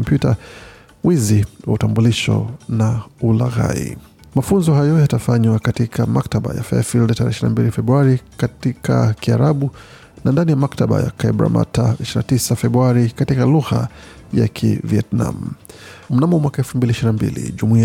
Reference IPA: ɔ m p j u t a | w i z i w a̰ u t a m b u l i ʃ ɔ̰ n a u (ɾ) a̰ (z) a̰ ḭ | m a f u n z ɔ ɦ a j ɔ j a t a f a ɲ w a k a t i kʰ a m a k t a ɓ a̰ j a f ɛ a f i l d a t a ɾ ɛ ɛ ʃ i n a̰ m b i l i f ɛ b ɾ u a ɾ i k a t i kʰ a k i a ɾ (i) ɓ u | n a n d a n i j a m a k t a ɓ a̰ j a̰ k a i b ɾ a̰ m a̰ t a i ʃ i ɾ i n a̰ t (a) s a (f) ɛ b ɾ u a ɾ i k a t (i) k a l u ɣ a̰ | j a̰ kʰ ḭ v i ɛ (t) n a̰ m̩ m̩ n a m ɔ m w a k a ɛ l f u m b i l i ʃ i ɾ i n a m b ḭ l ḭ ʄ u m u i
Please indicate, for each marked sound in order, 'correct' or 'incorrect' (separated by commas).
incorrect, incorrect, incorrect, incorrect, correct, correct, correct